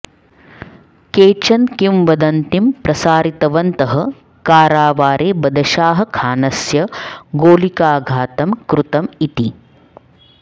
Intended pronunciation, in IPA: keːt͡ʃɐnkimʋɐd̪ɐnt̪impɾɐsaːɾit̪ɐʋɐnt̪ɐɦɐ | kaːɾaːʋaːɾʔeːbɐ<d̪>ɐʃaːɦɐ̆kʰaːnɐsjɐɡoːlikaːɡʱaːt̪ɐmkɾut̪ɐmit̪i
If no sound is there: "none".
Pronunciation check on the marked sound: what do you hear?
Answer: d̪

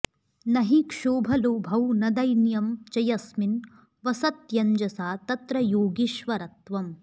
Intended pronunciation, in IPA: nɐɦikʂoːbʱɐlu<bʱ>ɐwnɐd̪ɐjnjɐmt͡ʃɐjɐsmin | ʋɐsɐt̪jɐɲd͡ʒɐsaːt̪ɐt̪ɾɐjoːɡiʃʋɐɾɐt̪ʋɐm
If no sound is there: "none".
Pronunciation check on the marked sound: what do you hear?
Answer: bʱ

